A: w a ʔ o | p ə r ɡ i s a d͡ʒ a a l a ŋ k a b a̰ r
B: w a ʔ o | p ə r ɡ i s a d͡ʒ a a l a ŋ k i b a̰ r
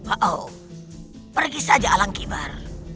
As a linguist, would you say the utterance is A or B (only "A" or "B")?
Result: B